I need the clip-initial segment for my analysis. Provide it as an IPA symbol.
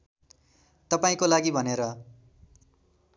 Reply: t̪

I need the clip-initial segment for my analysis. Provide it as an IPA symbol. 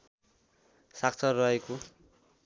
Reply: s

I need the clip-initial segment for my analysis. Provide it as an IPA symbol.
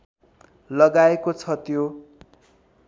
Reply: l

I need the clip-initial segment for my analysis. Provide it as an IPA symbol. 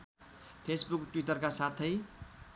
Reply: pʰ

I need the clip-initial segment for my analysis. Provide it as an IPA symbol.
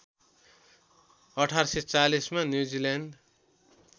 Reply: ʌ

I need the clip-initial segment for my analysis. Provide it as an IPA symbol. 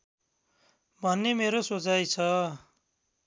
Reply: bʱ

